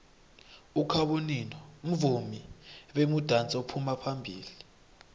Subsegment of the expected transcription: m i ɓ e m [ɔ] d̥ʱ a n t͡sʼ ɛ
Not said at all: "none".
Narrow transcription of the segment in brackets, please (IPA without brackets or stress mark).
u